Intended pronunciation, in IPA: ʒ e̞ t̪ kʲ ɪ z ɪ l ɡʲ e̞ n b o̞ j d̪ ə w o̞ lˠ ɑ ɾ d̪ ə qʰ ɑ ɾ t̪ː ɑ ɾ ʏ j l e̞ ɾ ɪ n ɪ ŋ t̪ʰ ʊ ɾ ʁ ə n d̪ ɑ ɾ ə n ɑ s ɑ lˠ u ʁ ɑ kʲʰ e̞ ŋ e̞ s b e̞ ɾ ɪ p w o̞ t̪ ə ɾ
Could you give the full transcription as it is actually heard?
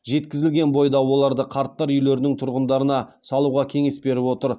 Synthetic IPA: ʒ e̞ t̪ kʲ ɪ z ɪ l ɡʲ e̞ n b o̞ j d̪ ɑ w o̞ lˠ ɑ ɾ d̪ ə qʰ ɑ ɾ t̪ː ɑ ɾ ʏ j l e̞ ɾ ɪ n ɪ ŋ t̪ʰ ʊ ɾ ʁ ə n d̪ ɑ ɾ ə n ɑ s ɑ lˠ u ʁ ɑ kʲʰ e̞ ŋ e̞ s b e̞ ɾ ɪ p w o̞ t̪ ə ɾ